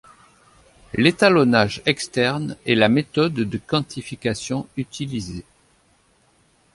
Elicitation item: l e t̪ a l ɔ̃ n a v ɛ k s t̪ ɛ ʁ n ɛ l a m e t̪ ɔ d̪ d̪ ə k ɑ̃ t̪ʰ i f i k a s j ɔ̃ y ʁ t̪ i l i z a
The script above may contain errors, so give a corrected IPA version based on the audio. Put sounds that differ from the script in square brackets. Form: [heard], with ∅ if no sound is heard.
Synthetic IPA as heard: l e t̪ a l [ɔ] n a [ʒ] ɛ k s t̪ ɛ ʁ n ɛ l a m e t̪ ɔ d̪ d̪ ə k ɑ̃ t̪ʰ i f i k a s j ɔ̃ y [∅] t̪ i l i z [e]